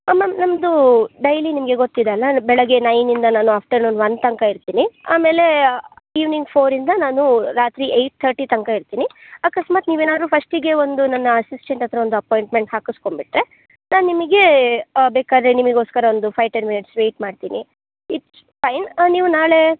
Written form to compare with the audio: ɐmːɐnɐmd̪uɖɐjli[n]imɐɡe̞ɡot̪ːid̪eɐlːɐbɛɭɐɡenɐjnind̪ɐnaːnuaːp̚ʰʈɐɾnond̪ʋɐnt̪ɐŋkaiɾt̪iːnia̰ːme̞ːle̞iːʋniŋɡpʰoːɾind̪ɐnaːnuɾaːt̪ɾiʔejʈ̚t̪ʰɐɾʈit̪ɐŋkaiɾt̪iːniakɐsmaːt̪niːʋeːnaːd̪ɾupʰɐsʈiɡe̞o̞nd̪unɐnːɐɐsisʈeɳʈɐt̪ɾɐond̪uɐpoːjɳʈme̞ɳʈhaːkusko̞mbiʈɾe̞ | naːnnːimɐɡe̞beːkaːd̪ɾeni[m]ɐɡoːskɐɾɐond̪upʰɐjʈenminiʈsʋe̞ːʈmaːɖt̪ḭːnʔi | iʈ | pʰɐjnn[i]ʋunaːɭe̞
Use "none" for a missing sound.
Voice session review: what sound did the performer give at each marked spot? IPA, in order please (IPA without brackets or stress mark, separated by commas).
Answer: n, m, iː